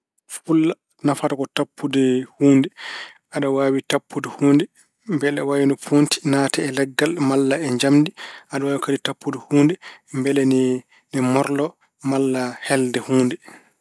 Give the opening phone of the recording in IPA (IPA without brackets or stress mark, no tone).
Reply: f